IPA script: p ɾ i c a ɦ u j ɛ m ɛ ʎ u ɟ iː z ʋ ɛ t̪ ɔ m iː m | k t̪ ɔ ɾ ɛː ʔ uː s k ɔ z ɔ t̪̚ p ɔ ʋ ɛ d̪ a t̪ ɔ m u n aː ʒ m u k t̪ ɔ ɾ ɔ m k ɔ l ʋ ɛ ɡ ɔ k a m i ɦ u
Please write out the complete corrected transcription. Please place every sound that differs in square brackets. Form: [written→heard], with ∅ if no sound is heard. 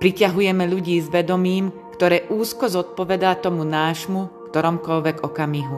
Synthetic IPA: p ɾ i c a ɦ u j ɛ m ɛ ʎ u ɟ iː z ʋ ɛ [t̪→d̪] ɔ m iː m | k t̪ ɔ ɾ ɛː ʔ uː s k ɔ z ɔ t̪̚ p ɔ ʋ ɛ d̪ a t̪ ɔ m u n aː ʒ m u k t̪ ɔ ɾ ɔ m k ɔ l ʋ ɛ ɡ ɔ k a m i ɦ u